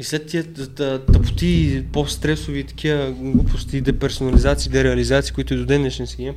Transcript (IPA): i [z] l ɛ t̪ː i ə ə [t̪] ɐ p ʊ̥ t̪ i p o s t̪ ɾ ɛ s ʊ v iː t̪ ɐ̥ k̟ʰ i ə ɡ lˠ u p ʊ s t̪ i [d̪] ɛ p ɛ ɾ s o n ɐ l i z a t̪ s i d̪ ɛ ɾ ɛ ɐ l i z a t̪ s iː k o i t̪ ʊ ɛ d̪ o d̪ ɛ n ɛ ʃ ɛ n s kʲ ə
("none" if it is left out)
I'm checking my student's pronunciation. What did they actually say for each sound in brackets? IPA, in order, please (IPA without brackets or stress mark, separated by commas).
s, t̪, d̪